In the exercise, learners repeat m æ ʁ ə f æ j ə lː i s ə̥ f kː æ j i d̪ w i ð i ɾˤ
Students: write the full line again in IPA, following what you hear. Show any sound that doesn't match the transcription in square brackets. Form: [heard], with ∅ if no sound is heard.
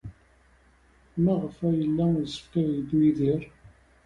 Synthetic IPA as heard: m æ ʁ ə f æ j ə lː [æ] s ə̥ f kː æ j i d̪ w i ð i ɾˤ